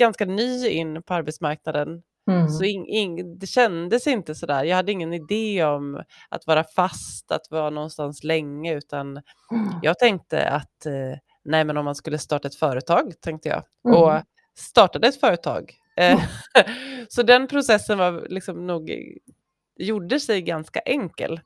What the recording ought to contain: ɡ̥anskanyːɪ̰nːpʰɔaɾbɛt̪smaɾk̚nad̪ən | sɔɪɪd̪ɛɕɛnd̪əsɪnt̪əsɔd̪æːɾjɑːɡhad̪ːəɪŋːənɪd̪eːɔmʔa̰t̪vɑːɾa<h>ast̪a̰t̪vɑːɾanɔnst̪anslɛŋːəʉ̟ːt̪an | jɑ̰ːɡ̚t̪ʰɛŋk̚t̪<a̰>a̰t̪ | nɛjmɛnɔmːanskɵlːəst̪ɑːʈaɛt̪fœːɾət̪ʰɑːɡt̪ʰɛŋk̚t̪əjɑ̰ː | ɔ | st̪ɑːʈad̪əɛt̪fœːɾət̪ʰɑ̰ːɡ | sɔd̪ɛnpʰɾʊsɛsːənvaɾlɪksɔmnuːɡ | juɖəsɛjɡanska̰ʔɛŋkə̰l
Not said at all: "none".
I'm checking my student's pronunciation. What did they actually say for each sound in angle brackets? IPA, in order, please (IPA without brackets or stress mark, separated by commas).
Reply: f, ə̰